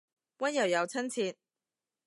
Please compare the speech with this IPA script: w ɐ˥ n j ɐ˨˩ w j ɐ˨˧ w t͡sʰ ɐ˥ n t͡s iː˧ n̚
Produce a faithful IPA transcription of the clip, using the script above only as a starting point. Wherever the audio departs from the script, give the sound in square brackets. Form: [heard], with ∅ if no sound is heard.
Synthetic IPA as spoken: w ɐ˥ n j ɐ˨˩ w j ɐ˨˧ w t͡sʰ ɐ˥ n [t͡sʰ] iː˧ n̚